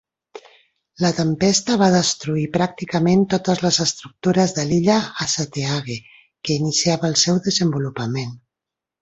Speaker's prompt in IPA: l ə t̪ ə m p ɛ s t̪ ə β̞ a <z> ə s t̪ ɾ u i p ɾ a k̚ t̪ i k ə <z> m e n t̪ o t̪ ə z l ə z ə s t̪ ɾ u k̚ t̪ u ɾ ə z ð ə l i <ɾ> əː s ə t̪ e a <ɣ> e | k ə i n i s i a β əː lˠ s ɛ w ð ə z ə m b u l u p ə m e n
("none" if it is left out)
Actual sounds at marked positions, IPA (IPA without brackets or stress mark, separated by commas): ð, none, ʎ, ɣ